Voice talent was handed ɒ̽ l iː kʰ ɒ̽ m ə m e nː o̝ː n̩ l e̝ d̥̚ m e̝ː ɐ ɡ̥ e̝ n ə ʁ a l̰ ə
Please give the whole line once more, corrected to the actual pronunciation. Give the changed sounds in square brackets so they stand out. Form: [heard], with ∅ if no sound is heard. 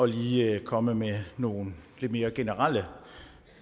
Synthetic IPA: ɒ̽ l iː kʰ ɒ̽ m ə m e [n] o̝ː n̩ l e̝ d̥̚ m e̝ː ɐ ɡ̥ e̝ n ə ʁ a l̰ ə